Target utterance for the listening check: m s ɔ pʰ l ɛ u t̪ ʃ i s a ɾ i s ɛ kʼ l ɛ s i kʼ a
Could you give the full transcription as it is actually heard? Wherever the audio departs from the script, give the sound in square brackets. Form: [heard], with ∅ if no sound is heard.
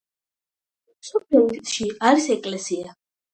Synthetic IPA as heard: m s ɔ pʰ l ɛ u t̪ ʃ i [∅] a ɾ i s ɛ kʼ l ɛ s i [∅] a